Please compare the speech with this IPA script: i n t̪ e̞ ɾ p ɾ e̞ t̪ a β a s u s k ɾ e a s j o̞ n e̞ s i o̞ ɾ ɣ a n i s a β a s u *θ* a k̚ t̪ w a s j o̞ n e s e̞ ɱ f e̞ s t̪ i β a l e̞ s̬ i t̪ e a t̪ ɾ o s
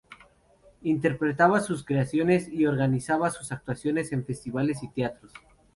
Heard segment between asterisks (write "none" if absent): s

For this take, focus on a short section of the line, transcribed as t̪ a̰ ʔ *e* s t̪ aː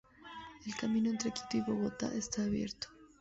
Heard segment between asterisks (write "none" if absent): e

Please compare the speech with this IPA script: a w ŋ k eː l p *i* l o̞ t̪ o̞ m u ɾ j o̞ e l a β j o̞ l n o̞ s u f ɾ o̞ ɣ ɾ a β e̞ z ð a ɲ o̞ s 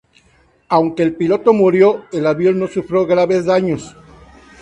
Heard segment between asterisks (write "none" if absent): i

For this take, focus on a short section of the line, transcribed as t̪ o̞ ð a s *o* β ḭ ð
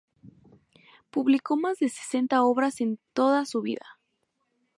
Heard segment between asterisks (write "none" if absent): u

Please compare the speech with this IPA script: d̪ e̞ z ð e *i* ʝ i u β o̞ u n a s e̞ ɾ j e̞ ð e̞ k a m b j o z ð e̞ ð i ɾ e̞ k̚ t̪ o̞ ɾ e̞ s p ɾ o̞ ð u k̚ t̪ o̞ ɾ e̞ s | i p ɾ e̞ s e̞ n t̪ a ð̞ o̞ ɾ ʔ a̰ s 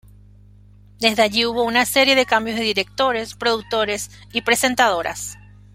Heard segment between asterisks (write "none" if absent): a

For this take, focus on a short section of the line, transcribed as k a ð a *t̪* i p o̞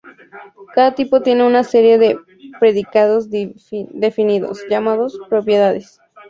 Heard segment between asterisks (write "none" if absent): t̪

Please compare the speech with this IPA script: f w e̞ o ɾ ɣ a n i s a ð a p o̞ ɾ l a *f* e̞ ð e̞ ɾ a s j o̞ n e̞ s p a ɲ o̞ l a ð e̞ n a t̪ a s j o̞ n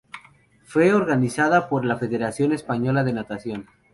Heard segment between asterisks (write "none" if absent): f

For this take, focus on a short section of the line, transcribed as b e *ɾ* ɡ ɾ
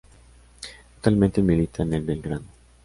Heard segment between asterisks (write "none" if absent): l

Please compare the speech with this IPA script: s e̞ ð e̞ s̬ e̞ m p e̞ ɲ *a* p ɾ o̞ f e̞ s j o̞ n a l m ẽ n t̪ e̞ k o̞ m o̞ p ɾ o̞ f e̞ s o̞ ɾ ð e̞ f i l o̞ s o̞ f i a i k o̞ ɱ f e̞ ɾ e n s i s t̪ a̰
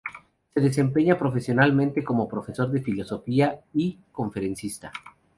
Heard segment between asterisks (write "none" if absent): a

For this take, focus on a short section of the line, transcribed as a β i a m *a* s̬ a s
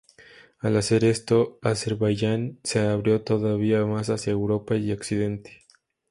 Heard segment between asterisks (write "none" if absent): a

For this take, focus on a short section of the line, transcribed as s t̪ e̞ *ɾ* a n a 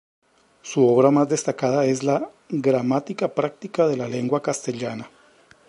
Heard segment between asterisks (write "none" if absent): ʎ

